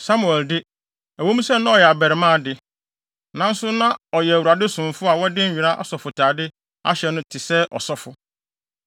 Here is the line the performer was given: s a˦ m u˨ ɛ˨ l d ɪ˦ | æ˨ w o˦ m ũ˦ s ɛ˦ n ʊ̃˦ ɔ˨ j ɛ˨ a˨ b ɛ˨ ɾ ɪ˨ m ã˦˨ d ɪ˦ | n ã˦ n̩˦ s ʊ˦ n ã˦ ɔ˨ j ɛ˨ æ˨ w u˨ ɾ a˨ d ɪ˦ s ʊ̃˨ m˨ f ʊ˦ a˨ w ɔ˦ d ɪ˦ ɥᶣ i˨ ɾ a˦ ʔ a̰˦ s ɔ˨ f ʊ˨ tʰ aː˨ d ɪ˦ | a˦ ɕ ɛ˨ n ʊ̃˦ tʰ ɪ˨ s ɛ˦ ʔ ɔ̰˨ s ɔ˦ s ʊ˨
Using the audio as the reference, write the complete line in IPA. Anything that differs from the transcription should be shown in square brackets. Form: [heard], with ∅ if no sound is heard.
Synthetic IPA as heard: s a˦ m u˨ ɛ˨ l d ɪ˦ | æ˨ w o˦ m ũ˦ s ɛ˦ n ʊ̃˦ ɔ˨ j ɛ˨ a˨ b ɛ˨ ɾ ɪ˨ m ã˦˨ d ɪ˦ | n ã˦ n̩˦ s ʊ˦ n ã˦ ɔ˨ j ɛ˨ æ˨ w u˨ ɾ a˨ d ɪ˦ s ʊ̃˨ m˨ f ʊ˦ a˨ w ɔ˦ d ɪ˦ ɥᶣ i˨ ɾ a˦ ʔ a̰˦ s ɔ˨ f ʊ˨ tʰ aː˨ d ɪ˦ | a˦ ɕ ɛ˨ n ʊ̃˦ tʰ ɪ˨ s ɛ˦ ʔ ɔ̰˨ s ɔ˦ [f] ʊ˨